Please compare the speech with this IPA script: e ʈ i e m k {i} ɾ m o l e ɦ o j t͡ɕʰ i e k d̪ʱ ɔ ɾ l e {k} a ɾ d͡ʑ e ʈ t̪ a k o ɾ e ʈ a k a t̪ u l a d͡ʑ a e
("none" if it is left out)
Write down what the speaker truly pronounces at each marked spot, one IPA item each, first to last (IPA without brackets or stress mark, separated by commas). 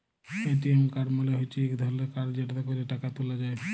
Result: a, k